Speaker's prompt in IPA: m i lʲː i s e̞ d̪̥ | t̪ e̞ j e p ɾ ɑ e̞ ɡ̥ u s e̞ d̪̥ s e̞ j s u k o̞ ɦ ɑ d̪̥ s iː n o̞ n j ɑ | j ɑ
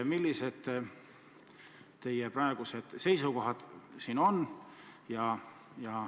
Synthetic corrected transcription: m i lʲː i s e̞ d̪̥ | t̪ e̞ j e p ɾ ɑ e̞ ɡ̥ u s e̞ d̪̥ s e̞ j s u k o̞ ɦ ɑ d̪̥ s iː n o̞ n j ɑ | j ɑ

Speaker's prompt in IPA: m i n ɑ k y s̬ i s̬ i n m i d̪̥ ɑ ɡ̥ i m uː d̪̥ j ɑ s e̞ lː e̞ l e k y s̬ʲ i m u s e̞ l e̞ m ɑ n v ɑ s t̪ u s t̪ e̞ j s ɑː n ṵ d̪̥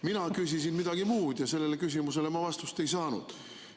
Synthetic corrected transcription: m i n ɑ k y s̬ i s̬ i n m i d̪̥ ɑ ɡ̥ i m uː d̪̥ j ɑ s e̞ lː e̞ l e k y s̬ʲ i m u s e̞ l e̞ m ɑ v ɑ s t̪ u s t̪ e̞ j s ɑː n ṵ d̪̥

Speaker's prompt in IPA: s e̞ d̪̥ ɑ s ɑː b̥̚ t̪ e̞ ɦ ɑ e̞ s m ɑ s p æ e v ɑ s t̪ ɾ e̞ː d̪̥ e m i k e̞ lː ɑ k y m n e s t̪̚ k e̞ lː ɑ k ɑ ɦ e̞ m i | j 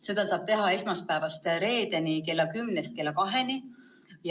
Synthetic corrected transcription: s e̞ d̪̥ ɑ s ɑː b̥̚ t̪ e̞ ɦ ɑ e̞ s m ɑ s p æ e v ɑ s t̪ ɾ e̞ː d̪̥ e n i k e̞ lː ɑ k y m n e s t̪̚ k e̞ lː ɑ k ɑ ɦ e̞ n i | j

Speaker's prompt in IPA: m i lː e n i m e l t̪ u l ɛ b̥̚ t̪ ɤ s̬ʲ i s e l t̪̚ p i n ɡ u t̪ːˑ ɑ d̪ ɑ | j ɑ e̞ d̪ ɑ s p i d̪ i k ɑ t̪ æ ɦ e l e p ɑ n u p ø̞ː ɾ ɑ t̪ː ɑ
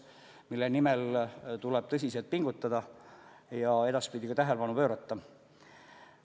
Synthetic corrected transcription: m i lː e n i m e l t̪ u l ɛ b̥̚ t̪ ɤ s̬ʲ i s e l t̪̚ p i ŋ ɡ u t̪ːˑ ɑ d̪ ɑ | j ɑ e̞ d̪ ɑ s p i d̪ i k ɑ t̪ æ ɦ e l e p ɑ n u p ø̞ː ɾ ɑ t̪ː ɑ

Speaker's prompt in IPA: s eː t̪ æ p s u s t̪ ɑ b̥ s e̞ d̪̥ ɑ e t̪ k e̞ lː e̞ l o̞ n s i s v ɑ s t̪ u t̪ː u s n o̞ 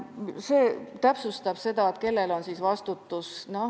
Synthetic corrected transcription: s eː t̪ æ p s u s t̪ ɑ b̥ s e̞ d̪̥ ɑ e t̪ k e̞ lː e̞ l o̞ n s i s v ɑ s t̪ u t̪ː u s n o̞

